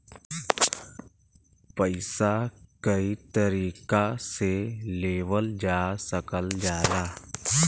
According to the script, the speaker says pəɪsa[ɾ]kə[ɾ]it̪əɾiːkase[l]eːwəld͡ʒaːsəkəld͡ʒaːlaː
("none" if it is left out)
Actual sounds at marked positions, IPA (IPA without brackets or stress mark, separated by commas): none, none, l